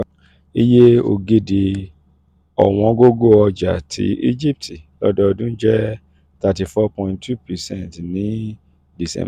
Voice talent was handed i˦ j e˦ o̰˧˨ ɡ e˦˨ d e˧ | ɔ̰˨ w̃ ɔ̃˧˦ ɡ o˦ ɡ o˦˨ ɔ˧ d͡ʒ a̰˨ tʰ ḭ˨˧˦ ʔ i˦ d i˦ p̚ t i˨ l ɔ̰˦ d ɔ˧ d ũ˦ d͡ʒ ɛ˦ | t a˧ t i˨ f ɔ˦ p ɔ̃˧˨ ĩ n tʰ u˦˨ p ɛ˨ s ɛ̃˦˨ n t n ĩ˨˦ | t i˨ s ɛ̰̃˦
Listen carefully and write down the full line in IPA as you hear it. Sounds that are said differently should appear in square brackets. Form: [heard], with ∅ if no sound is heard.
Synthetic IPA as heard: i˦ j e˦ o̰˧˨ ɡ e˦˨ d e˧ | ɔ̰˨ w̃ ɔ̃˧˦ ɡ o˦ ɡ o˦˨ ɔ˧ d͡ʒ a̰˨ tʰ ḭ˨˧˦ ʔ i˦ [d͡ʒ] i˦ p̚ t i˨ l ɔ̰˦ d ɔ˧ d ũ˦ d͡ʒ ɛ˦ | t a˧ t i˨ f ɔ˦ p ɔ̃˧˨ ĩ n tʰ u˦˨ p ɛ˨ s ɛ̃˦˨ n t n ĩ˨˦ | [d] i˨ s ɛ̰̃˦